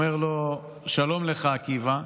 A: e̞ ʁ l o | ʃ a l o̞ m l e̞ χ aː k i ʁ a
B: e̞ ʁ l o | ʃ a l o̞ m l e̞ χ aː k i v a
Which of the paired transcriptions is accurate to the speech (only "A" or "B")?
B